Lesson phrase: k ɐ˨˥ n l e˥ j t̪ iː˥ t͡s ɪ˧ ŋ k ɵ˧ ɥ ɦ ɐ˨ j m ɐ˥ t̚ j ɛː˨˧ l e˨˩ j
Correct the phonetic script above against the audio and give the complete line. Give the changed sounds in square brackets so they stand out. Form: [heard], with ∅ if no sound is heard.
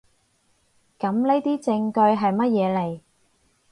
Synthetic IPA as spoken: k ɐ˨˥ [m] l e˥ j t̪ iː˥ t͡s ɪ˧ ŋ k ɵ˧ ɥ ɦ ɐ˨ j m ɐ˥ t̚ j ɛː˨˧ l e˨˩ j

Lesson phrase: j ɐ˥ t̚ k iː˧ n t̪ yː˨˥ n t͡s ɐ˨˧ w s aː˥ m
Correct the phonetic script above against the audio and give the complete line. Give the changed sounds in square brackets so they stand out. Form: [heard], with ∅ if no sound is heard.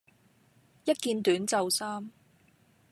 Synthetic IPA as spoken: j ɐ˥ t̚ k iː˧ n t̪ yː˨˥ n t͡s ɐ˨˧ w s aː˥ m

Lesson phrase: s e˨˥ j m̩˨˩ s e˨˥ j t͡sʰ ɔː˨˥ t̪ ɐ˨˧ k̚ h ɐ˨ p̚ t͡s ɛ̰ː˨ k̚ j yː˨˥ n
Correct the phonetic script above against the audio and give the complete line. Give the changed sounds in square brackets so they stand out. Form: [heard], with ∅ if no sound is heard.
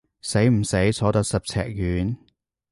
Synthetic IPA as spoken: s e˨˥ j m̩˨˩ s e˨˥ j t͡sʰ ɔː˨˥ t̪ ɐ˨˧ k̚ [s] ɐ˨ p̚ [t͡sʰ] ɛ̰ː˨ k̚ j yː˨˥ n

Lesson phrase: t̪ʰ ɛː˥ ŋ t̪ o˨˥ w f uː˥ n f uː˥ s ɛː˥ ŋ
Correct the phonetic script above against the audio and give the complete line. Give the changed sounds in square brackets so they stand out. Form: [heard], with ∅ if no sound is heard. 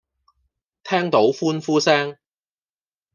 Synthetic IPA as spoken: t̪ʰ ɛː˥ ŋ t̪ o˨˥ w f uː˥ n f uː˥ s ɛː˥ ŋ

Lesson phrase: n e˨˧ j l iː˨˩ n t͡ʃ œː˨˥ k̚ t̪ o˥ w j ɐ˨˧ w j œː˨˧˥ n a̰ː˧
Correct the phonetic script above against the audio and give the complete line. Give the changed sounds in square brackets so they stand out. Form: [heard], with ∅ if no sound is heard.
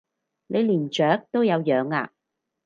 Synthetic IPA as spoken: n e˨˧ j l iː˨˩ n t͡ʃ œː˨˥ k̚ t̪ o˥ w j ɐ˨˧ w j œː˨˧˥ [ŋ] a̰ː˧

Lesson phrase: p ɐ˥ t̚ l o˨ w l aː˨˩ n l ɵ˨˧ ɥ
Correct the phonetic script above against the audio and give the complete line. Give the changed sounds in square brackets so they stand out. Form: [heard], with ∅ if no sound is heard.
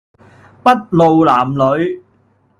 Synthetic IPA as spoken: p ɐ˥ t̚ l o˨ w l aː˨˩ [m] l ɵ˨˧ ɥ

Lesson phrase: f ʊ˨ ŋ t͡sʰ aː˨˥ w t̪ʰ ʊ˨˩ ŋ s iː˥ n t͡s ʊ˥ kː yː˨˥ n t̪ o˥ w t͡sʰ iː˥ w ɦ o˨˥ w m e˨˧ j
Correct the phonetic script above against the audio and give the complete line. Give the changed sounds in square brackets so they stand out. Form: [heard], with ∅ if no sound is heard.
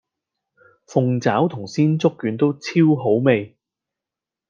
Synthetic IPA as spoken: f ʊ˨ ŋ [t͡s] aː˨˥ w t̪ʰ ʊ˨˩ ŋ s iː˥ n t͡s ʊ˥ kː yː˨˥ n t̪ o˥ w t͡sʰ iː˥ w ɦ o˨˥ w m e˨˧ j

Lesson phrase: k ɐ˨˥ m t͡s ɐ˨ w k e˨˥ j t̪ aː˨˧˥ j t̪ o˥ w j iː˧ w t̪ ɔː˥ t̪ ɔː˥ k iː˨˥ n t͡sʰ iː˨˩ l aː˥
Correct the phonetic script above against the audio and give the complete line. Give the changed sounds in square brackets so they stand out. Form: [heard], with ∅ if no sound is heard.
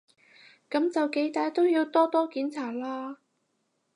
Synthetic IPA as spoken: k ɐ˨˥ m t͡s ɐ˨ w k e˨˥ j t̪ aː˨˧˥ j t̪ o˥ w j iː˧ w t̪ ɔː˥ t̪ ɔː˥ k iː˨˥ n t͡sʰ [aː˨˩] l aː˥

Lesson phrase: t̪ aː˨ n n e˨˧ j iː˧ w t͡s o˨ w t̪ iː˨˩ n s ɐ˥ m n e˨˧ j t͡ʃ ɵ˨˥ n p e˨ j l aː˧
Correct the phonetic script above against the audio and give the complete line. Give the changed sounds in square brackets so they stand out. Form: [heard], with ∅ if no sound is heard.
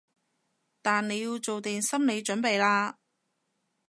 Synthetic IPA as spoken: t̪ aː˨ n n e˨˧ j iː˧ w t͡s o˨ w t̪ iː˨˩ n s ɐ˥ m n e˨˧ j t͡ʃ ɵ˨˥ n p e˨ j l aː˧

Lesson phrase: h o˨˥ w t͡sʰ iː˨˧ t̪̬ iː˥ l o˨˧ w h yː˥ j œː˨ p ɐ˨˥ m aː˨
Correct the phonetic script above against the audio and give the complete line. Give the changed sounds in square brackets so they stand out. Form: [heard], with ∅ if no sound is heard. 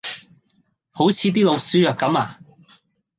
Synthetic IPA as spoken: h o˨˥ w t͡sʰ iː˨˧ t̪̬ iː˥ l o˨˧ w [s] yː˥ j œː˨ [k] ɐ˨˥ m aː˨

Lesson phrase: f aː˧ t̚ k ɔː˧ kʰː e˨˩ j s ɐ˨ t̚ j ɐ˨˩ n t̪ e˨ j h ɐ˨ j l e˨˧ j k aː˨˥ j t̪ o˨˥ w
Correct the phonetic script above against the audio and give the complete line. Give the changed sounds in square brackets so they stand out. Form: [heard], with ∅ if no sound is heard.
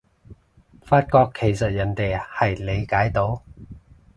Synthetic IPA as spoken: f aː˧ t̚ k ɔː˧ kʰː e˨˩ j s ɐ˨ t̚ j ɐ˨˩ n t̪ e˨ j h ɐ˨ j l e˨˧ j k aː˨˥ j t̪ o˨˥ w

